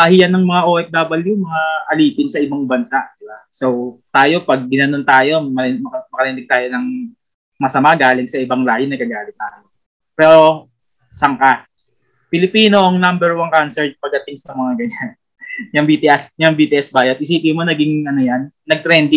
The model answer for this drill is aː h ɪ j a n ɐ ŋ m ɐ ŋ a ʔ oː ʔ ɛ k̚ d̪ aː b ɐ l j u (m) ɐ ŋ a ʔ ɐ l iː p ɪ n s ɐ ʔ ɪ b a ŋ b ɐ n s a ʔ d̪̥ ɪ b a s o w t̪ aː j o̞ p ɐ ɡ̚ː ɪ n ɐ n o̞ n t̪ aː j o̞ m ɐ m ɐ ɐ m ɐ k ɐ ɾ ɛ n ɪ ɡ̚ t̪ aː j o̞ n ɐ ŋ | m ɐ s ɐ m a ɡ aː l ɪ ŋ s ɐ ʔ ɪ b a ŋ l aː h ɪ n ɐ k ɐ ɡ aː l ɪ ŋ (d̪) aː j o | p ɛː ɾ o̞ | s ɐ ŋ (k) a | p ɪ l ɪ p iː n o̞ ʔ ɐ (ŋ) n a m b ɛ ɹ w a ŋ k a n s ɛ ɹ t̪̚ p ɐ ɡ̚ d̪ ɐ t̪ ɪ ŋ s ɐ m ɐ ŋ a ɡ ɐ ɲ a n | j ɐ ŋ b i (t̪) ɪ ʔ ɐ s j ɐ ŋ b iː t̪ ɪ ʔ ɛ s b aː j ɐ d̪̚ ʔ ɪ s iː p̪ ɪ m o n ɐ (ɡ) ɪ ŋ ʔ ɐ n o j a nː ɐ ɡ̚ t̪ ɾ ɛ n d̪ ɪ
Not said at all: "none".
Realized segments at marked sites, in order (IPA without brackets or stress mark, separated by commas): m, t̪, k, ŋ, t̪, ɡ